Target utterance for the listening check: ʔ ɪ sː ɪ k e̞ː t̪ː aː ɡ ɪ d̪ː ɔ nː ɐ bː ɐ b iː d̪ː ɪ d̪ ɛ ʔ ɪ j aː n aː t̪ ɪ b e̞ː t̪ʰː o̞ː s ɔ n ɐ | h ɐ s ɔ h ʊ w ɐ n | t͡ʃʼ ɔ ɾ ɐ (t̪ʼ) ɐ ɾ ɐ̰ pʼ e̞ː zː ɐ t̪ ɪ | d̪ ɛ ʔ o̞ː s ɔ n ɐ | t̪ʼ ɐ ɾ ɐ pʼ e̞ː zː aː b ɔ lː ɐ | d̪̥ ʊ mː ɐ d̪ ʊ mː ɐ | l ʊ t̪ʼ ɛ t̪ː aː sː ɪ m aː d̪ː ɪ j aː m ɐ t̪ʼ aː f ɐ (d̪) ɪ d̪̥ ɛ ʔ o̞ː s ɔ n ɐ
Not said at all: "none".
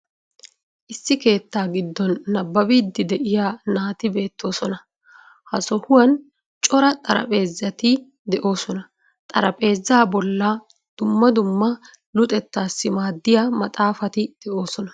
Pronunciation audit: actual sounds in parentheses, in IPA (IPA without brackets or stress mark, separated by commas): t̪ʼ, t̪